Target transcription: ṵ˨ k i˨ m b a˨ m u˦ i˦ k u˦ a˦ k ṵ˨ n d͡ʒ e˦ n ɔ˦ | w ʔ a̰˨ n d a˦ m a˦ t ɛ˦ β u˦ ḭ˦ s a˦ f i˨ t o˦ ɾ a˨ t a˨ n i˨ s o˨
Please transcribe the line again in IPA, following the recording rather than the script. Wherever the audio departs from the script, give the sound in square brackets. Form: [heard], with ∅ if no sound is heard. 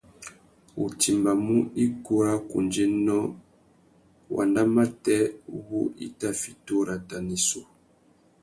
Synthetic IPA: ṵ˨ [t] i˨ m b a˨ m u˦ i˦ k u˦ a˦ k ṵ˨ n d͡ʒ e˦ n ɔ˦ | w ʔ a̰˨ n d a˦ m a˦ t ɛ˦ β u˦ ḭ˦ [t] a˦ f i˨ t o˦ ɾ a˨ t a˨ n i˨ s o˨